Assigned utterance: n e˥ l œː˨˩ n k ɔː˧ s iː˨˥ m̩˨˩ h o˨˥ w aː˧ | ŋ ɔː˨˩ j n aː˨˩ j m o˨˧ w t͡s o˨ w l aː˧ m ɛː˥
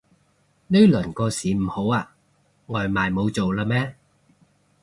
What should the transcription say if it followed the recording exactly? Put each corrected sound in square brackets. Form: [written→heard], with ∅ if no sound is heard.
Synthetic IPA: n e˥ l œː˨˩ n k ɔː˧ s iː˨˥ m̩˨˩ h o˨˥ w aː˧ | ŋ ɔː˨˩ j [n→m] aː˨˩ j m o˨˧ w t͡s o˨ w l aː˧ m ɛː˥